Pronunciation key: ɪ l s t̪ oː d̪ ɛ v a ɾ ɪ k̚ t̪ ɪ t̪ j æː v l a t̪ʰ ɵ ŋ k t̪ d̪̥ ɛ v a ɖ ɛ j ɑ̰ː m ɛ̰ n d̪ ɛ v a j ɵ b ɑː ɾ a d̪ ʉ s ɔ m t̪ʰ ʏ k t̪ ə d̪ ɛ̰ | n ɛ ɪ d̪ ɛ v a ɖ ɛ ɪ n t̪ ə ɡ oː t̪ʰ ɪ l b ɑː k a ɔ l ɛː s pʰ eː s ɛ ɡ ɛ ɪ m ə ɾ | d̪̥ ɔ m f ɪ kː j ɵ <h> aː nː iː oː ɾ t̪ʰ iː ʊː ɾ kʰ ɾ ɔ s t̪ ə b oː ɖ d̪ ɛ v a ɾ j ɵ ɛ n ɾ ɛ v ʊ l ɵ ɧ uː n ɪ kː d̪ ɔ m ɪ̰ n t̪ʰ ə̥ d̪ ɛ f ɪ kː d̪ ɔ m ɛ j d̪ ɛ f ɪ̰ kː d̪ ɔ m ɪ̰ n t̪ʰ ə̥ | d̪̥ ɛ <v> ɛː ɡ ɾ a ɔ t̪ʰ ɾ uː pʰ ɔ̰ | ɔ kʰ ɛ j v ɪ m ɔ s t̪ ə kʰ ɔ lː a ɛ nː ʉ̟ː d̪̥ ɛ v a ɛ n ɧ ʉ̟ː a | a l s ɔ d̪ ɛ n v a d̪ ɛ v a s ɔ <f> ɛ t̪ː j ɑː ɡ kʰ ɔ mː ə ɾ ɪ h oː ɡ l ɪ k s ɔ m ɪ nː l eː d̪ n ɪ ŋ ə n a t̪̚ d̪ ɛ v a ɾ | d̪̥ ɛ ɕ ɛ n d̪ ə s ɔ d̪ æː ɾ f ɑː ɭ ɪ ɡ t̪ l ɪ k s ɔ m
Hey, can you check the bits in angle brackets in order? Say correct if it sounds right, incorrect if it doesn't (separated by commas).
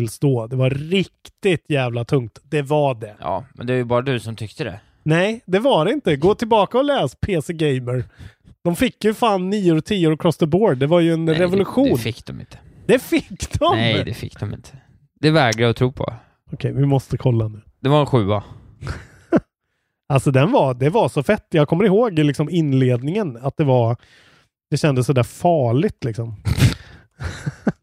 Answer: incorrect, correct, correct